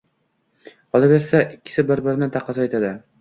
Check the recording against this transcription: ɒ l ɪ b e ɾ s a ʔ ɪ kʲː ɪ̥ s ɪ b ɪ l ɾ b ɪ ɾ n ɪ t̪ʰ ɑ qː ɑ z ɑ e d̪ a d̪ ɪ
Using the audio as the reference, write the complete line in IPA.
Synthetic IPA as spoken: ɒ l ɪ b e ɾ s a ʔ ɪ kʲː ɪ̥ s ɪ b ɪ ɾ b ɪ ɾ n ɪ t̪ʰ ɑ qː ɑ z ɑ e t̪ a d̪ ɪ